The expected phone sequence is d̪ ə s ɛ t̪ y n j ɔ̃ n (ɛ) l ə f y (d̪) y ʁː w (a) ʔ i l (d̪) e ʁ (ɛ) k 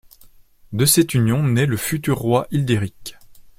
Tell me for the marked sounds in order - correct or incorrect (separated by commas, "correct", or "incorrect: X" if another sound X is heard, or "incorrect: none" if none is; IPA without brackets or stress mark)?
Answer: correct, incorrect: t̪, correct, correct, incorrect: i